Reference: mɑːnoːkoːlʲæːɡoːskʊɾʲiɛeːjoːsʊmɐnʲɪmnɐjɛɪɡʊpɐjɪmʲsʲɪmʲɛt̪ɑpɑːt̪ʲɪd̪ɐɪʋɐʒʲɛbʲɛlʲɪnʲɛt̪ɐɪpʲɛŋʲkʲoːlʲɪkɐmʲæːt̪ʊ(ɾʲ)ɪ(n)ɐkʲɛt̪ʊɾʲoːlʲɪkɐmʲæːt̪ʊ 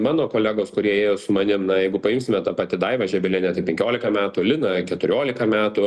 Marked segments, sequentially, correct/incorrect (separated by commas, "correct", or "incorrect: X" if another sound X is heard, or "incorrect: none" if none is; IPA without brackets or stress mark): incorrect: lʲ, correct